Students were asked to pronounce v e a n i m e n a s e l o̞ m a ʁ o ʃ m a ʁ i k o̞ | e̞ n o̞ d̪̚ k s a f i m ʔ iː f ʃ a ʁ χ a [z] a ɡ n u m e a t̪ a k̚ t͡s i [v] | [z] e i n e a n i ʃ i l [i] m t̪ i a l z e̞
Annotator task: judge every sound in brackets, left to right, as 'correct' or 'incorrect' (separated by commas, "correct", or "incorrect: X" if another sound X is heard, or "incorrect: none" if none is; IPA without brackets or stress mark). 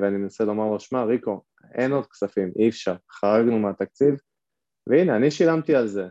incorrect: ʁ, correct, incorrect: v, incorrect: a